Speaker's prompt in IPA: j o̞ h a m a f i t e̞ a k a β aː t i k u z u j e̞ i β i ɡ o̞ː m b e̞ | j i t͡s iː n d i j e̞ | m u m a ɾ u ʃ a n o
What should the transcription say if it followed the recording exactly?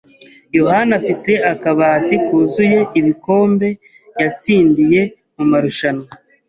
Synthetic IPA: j o̞ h a n a f i t e̞ a k a β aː t i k u z u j e̞ i β i k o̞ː m b e̞ | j a t͡s iː n d i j e̞ | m u m a ɾ u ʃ a n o